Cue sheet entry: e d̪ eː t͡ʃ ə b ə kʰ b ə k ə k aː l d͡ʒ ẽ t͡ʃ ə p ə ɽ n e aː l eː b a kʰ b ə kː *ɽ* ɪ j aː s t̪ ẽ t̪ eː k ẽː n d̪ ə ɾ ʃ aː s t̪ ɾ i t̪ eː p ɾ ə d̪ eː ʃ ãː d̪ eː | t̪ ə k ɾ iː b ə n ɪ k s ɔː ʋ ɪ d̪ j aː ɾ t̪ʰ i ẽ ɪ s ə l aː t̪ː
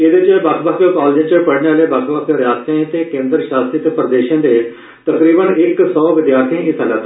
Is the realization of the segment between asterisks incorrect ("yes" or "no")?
yes